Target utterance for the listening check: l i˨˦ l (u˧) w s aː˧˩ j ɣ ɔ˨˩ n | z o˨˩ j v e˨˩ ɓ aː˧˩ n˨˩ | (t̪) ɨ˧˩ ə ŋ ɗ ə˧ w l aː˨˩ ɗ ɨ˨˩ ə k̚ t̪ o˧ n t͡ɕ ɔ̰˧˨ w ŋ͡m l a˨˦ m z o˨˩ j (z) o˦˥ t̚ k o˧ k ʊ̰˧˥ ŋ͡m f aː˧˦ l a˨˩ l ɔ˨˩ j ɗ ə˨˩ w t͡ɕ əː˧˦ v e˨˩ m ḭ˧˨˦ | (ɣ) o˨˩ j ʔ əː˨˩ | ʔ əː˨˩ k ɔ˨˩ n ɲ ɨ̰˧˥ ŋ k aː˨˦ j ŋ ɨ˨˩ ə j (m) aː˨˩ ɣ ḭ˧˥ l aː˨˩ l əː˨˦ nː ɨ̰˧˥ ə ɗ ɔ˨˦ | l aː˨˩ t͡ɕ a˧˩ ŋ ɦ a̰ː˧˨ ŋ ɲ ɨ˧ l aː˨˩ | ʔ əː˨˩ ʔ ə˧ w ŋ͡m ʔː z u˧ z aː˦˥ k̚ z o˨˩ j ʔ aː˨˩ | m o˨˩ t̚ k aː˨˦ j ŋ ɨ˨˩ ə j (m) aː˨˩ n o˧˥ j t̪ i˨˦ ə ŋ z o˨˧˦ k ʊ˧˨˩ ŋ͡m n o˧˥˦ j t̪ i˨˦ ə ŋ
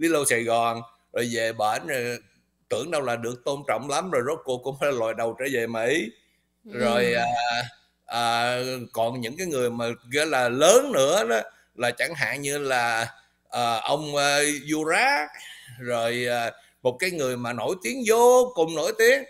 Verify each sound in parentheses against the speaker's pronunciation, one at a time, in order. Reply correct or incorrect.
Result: incorrect: o˧, correct, correct, incorrect: z, correct, correct

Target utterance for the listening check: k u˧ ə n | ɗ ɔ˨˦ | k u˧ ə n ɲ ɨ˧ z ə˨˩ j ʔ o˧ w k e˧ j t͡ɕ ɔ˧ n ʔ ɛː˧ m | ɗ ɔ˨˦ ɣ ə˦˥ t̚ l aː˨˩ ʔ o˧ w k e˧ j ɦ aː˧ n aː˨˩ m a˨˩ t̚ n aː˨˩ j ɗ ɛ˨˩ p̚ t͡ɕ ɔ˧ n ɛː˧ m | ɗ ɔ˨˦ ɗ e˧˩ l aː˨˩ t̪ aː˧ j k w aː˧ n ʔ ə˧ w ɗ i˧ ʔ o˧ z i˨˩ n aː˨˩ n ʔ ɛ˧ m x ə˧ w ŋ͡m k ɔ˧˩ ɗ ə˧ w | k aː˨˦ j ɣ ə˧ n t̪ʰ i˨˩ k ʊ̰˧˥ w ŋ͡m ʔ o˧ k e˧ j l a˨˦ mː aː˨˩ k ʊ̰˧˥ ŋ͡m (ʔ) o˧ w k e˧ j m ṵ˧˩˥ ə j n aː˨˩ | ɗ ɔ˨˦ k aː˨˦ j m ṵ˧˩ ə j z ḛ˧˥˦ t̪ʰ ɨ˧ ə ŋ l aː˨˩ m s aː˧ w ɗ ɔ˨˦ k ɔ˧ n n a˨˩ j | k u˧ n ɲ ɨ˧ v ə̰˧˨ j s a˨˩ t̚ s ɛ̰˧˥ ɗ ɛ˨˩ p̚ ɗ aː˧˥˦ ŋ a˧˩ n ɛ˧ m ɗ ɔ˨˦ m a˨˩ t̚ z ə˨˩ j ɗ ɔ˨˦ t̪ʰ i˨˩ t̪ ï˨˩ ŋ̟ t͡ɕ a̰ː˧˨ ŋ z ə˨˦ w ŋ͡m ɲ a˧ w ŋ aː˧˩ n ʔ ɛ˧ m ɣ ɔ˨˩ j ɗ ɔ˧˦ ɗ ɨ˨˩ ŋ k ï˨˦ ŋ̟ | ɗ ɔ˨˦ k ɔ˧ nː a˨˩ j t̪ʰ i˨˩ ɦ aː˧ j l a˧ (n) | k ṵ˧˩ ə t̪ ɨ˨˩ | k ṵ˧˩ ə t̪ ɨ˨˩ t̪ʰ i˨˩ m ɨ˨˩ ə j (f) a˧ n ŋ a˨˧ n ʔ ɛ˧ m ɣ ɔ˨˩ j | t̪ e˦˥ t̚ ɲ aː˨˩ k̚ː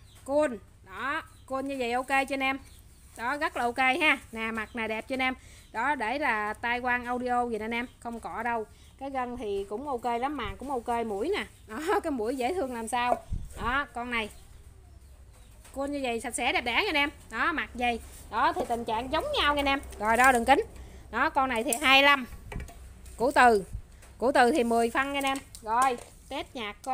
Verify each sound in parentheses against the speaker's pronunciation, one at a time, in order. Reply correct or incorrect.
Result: correct, incorrect: m, correct

